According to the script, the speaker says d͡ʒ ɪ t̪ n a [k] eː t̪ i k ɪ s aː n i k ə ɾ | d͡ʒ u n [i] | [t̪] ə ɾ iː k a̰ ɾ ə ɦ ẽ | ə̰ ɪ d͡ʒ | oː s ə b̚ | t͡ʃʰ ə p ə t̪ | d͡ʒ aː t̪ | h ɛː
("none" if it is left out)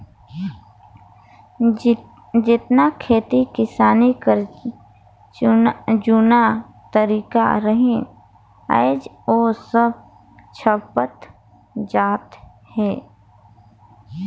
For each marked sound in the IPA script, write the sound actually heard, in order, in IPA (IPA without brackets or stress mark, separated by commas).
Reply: kʰ, a, t̪